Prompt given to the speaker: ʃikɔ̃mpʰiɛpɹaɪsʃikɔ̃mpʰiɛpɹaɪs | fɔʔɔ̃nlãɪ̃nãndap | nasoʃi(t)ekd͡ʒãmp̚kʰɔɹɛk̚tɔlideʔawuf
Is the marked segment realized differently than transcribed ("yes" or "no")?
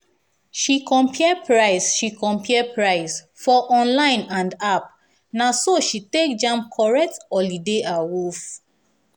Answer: no